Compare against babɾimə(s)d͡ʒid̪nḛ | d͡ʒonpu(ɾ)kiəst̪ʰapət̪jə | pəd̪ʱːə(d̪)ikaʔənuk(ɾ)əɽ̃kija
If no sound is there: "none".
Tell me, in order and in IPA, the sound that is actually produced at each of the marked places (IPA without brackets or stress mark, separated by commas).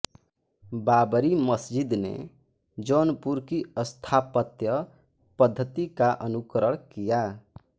s, ɾ, t̪, ɾ